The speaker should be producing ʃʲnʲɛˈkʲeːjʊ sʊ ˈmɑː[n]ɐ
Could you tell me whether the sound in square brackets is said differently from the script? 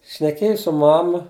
yes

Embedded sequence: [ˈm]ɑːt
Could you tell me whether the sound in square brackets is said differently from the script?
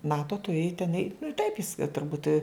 yes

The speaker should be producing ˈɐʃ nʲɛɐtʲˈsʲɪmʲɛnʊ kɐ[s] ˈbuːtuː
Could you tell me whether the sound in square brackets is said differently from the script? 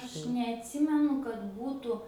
yes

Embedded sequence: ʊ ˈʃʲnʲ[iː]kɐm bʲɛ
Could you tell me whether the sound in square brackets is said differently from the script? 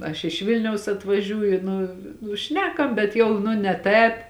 yes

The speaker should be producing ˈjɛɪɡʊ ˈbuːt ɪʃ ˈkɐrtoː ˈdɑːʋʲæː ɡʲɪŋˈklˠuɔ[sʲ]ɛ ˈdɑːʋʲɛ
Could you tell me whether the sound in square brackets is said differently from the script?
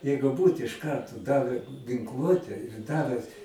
yes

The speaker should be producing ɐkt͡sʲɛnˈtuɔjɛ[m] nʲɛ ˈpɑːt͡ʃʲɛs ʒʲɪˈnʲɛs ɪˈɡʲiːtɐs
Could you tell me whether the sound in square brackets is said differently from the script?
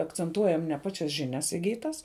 no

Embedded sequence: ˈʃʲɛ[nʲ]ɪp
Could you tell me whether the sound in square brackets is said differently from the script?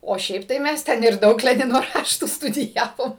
yes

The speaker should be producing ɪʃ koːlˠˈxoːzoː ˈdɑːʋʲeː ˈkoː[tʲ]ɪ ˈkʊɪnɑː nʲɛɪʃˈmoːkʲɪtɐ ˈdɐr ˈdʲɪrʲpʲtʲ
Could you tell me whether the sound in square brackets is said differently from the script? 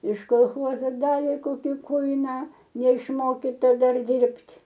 yes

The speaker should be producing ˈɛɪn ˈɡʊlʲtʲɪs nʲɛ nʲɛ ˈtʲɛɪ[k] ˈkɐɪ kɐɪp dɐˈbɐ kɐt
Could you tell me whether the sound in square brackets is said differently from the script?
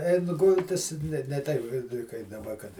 yes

